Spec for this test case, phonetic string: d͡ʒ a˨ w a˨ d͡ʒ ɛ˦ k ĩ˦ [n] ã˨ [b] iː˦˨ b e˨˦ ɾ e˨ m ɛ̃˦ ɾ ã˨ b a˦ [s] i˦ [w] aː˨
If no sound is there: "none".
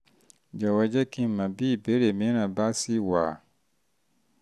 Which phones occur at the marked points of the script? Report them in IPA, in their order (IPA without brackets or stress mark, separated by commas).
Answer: m, b, s, w